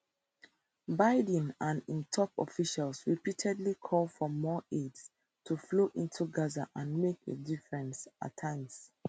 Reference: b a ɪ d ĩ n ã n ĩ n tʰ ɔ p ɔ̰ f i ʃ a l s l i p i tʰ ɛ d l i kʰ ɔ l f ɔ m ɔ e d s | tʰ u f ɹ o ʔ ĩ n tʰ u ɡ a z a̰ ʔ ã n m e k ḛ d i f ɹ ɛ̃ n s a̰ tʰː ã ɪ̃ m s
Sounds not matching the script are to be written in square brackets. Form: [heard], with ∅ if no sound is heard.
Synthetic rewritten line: b a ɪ d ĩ n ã n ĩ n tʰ ɔ p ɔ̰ f i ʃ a l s [ɹ] i p i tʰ ɛ d l i kʰ ɔ l f ɔ m ɔ e d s | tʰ u f [l] o ʔ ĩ n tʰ u ɡ a z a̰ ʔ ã n m e k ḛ d i f ɹ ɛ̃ n s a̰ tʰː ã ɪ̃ m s